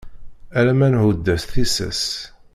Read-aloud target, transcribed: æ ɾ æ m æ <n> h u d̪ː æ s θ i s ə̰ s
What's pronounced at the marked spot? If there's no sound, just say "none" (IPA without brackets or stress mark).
n